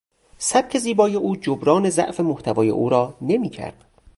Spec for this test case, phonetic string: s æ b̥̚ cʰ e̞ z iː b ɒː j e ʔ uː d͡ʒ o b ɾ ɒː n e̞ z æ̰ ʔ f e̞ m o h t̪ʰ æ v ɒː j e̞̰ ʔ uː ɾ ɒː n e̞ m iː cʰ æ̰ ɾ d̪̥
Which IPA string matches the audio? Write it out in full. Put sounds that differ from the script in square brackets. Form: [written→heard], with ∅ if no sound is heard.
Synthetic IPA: s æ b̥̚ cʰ e̞ z iː b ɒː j e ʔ uː d͡ʒ o b ɾ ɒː n e̞ z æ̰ ʔ f e̞ m o h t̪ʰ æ v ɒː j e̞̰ ʔ uː ɾ ɒː n e̞ m iː cʰ æ̰ ɾ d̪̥